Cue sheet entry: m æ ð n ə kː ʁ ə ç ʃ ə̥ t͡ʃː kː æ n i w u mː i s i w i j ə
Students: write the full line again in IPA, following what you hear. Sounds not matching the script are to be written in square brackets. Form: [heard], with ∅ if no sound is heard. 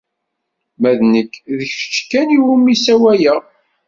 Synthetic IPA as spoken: m æ ð n ə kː [ð] ə ç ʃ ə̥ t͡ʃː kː æ n i w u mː i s [æ] w [æ] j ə